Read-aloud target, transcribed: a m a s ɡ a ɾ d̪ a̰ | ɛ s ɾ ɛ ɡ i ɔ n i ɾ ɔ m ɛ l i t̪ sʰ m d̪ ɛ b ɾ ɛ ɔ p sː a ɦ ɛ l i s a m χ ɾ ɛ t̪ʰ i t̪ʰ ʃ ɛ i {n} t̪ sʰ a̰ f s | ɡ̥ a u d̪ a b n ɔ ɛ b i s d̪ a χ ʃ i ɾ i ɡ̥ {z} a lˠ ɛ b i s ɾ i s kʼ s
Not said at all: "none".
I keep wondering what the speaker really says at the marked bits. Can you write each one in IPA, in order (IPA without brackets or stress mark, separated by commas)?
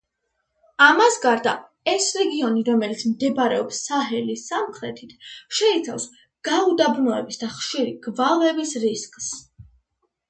none, v